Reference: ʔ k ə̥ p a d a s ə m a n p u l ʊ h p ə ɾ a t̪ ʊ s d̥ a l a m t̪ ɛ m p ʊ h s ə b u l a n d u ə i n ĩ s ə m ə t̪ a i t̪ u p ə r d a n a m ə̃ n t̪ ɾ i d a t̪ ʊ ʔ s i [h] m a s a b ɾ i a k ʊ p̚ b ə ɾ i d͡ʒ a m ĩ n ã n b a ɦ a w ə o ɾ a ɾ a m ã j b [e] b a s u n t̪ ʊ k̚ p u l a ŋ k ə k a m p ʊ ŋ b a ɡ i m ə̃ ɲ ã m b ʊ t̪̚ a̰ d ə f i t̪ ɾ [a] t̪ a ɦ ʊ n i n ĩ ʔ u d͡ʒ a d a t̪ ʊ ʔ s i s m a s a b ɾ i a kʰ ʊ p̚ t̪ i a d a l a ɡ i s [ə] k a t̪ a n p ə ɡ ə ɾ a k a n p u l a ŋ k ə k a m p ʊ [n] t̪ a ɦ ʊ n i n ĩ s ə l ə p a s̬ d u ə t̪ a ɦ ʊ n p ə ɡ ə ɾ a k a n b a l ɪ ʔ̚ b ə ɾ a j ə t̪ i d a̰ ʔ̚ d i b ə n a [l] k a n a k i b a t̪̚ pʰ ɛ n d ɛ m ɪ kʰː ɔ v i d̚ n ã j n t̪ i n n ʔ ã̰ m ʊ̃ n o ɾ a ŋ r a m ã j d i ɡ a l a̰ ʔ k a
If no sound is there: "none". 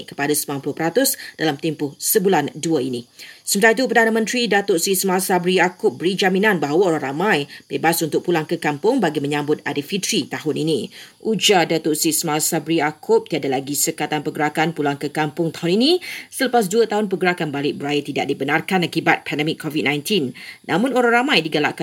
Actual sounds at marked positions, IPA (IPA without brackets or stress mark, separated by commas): s, e, i, ə, ŋ, r